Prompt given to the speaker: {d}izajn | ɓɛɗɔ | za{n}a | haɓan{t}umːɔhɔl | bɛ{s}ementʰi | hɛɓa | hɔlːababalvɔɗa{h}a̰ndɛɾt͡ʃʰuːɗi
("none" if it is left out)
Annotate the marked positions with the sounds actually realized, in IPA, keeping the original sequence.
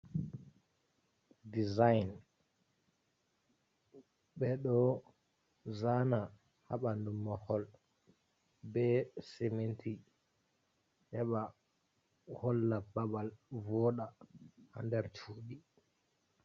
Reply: d, n, d, s, h

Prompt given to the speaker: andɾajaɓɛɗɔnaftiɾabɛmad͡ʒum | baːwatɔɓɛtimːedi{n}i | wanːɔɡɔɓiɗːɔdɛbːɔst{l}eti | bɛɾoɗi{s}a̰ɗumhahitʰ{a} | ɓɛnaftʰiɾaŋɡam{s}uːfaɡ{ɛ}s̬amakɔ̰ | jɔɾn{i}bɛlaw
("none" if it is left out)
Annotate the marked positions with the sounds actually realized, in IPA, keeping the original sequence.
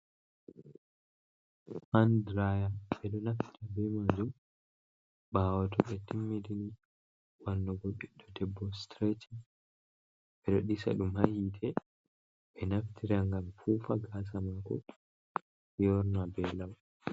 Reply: n, ɾ, s, ɛ, f, a, a

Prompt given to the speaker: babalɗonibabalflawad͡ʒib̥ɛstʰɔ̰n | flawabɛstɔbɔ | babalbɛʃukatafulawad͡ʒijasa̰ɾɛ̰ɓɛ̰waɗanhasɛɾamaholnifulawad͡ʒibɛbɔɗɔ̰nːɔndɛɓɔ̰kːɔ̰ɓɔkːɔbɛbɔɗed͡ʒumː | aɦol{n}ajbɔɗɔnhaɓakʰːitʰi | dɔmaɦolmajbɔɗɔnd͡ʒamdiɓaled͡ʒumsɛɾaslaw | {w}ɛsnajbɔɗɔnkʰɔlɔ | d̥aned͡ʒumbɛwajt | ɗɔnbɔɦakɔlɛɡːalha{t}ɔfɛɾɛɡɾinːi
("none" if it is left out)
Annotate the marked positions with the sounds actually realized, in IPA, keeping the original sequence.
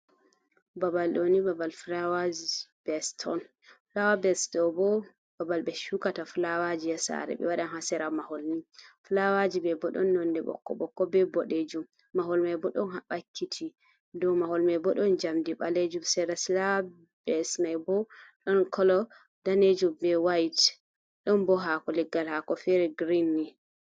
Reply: m, b, k

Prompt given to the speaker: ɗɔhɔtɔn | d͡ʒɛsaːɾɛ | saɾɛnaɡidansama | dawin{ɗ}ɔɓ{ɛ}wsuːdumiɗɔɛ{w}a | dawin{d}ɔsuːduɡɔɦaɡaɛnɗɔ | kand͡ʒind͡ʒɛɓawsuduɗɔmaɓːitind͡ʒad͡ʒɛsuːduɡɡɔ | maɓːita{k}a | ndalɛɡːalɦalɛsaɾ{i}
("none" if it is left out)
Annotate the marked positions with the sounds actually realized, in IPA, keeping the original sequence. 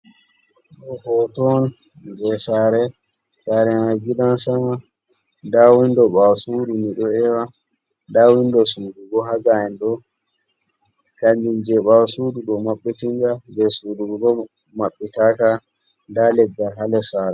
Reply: d, a, w, d, k, ɛ

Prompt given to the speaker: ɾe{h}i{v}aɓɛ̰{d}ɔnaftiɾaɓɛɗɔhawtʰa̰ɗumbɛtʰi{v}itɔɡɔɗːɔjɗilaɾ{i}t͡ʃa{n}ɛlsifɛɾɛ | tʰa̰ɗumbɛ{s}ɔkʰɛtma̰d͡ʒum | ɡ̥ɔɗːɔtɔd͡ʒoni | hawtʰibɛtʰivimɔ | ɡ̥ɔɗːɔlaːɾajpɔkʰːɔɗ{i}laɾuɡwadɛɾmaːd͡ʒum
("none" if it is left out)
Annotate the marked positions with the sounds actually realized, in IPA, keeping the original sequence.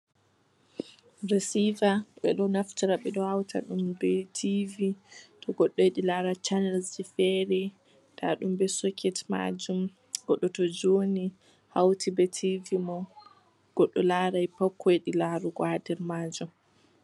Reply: s, v, ɗ, v, a, n, s, i

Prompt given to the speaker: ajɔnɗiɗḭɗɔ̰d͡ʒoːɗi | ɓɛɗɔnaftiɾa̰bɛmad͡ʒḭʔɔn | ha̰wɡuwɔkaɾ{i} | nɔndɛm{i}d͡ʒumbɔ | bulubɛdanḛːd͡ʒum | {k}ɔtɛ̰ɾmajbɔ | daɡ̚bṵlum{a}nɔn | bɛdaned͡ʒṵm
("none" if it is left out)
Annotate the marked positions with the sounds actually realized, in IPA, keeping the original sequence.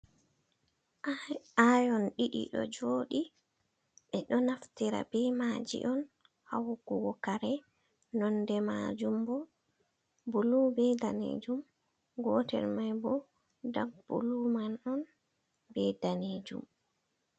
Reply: ɛ, a, ɡ, a

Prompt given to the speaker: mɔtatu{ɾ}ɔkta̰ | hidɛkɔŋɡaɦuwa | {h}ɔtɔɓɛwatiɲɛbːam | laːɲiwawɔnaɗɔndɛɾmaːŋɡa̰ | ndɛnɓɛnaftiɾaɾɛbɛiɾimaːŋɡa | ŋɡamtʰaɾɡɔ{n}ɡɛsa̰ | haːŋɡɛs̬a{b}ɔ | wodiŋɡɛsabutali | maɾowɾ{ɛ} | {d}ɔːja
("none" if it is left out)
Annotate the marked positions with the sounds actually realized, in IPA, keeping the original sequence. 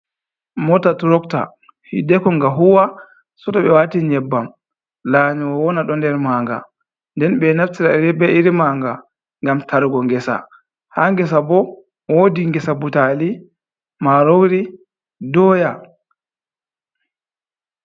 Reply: ɾ, s, ŋ, b, i, d

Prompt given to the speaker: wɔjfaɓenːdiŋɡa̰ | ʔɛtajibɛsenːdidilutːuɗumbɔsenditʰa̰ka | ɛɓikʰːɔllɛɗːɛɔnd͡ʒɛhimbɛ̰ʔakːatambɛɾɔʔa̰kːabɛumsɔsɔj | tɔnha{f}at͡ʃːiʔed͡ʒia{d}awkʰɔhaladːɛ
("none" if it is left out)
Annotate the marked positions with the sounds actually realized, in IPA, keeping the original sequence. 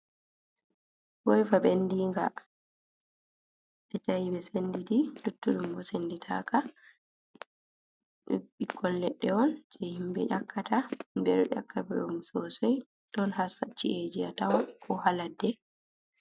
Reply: s, t

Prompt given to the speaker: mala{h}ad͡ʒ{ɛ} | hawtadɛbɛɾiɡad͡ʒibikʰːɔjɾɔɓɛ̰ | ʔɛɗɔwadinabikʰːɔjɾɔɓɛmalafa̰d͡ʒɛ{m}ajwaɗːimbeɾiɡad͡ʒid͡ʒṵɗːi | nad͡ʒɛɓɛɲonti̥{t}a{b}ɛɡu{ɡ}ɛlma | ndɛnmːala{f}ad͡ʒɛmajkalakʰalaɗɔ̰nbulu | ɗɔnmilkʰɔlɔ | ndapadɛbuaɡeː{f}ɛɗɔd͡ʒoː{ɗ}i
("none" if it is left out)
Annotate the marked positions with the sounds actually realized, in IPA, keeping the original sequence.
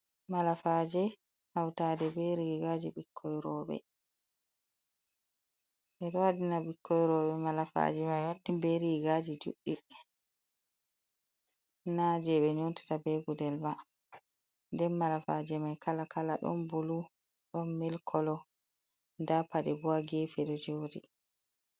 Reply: f, ɛ, m, t, b, d, f, f, d

